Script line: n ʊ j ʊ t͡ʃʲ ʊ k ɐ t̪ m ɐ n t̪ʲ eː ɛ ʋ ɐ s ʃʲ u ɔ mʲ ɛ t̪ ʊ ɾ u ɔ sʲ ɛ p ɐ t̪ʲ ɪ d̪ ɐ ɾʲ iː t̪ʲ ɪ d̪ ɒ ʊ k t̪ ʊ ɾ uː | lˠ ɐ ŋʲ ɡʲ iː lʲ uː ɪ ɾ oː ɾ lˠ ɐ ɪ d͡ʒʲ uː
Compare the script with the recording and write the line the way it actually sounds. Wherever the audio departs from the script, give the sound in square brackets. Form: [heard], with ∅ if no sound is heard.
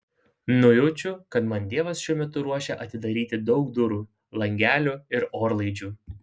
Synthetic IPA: n ʊ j ʊ t͡ʃʲ ʊ k ɐ t̪ m ɐ n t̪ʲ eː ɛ ʋ ɐ s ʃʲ u ɔ mʲ ɛ t̪ ʊ ɾ u ɔ [ʃʲ] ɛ [ʔ] ɐ t̪ʲ ɪ d̪ ɐ ɾʲ iː t̪ʲ ɪ d̪ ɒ ʊ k [d̪] ʊ ɾ uː | lˠ ɐ ŋʲ ɡʲ [æː] lʲ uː ɪ ɾ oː ɾ lˠ ɐ ɪ d͡ʒʲ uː